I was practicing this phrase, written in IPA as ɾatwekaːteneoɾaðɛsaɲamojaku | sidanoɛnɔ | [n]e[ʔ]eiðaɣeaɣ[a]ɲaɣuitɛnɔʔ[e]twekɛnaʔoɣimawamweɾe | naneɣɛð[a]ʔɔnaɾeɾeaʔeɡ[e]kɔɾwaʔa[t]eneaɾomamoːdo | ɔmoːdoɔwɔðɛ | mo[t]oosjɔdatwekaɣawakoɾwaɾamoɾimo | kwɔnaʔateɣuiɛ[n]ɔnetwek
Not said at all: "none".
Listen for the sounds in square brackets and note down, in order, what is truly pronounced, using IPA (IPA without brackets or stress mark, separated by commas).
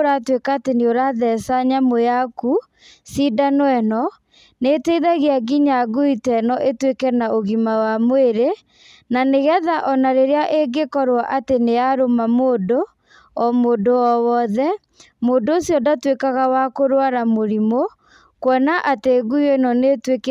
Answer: n, t, i, e, a, e, t, d, n